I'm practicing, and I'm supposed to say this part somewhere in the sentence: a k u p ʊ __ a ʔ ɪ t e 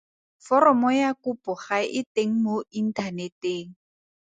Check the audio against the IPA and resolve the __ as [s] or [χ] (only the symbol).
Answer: χ